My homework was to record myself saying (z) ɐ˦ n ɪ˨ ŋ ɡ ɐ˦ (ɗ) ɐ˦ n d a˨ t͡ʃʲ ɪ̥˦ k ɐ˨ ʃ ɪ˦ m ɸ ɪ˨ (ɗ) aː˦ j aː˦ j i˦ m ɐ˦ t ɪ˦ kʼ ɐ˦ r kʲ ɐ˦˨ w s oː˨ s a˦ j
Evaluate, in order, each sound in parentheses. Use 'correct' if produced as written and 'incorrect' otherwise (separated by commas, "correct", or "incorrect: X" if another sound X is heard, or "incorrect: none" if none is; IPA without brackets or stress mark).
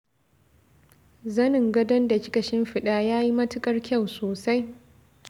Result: correct, incorrect: d, correct